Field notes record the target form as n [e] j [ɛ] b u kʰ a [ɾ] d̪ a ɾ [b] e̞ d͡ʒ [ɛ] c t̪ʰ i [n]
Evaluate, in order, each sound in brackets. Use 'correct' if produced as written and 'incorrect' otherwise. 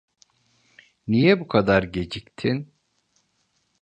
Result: incorrect, correct, incorrect, incorrect, incorrect, correct

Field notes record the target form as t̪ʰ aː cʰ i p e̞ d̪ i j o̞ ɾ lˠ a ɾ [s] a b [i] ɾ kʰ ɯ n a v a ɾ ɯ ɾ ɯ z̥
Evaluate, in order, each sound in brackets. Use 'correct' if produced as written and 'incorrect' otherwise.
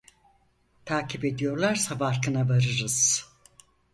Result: correct, incorrect

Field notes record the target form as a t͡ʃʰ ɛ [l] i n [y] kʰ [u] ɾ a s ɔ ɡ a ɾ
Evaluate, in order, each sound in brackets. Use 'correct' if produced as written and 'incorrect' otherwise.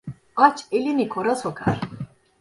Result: correct, incorrect, incorrect

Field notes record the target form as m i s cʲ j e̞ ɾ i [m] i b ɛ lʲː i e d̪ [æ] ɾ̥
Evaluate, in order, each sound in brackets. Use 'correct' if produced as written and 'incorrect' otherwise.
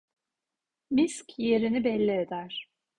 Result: incorrect, correct

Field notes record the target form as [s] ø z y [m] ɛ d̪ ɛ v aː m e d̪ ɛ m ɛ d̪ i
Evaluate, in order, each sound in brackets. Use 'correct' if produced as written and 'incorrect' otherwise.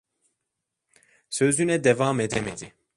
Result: correct, incorrect

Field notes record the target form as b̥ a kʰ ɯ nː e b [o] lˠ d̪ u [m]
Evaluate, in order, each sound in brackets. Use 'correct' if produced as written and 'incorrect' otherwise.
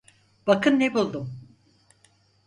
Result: incorrect, correct

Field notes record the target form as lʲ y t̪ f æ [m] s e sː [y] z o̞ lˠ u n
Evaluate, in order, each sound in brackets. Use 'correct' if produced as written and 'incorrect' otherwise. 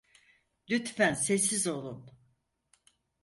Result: incorrect, incorrect

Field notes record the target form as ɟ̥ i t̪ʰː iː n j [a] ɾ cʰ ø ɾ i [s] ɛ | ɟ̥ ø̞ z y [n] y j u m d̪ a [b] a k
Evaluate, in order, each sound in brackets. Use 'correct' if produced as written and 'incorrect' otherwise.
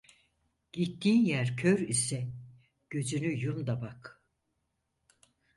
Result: incorrect, correct, correct, correct

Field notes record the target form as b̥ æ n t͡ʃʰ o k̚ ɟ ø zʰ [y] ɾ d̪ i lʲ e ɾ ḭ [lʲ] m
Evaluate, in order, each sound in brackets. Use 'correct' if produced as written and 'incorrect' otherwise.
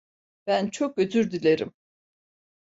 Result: correct, incorrect

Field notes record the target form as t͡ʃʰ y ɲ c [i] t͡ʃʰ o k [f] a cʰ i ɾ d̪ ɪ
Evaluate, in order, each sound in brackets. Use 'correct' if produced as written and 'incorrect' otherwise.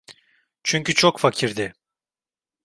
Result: incorrect, correct

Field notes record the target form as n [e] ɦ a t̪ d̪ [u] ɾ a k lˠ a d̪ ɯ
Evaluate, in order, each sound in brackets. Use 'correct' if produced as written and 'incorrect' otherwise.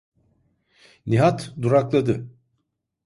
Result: incorrect, correct

